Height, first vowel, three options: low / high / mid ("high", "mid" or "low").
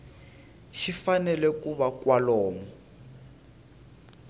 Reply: high